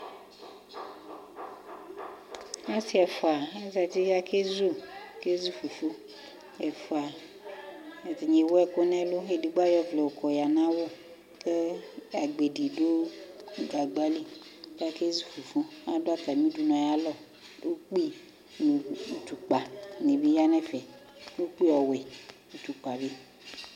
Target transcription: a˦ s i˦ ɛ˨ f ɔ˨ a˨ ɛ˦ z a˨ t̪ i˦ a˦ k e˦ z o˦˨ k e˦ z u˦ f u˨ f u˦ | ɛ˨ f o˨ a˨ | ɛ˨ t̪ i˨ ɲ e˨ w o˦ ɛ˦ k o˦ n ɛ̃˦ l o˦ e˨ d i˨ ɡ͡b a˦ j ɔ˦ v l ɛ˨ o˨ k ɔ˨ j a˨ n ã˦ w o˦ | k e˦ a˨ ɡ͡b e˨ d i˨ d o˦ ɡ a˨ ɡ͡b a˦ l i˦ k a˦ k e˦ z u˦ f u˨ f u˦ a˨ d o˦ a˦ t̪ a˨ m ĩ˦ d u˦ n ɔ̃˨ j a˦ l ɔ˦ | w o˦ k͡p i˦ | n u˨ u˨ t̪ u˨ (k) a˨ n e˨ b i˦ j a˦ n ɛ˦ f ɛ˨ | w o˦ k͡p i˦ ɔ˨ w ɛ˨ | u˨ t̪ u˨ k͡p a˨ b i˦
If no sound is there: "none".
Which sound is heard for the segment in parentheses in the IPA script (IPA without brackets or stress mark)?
k͡p